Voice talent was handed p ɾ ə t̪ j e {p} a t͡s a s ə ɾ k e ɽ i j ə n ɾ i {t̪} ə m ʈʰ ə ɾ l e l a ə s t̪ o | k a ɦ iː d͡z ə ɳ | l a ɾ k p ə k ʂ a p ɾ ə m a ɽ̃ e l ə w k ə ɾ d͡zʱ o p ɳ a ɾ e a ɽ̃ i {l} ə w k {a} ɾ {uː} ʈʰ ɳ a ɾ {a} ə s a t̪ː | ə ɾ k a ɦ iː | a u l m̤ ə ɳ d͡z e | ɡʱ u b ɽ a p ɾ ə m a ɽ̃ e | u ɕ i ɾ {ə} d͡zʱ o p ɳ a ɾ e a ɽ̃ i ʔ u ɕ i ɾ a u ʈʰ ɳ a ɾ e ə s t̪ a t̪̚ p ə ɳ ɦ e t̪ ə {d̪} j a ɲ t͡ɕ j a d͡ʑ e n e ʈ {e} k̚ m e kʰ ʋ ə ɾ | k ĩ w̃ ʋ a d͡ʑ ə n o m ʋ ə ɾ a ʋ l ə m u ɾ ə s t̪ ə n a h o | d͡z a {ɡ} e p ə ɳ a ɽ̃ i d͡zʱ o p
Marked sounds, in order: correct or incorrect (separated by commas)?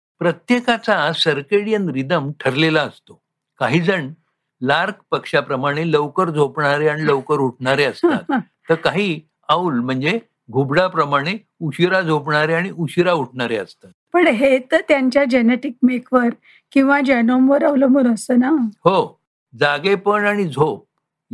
incorrect, incorrect, correct, incorrect, incorrect, incorrect, incorrect, incorrect, incorrect, correct